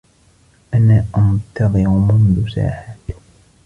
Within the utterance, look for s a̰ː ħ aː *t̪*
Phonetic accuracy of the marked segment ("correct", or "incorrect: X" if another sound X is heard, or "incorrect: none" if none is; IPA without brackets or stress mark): correct